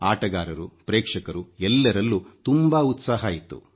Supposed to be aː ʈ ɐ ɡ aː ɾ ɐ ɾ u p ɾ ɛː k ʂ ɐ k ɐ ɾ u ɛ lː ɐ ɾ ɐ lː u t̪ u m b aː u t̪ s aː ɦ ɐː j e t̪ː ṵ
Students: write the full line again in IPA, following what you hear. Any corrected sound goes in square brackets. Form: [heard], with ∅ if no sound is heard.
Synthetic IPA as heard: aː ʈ ɐ ɡ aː ɾ ɐ ɾ u p ɾ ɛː k ʂ ɐ k ɐ ɾ u ɛ lː ɐ ɾ ɐ lː u t̪ u m b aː u t̪ s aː ɦ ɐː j [i] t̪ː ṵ